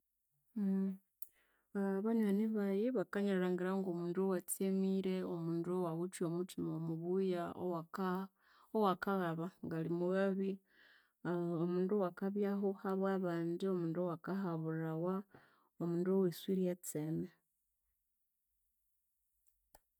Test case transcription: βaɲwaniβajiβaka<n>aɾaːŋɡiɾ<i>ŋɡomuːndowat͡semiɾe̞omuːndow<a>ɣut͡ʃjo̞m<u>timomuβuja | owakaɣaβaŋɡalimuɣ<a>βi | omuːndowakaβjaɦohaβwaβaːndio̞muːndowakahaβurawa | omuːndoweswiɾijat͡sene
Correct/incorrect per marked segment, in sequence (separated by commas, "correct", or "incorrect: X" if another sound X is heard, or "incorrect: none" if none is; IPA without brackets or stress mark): incorrect: ɲ, incorrect: a, correct, correct, correct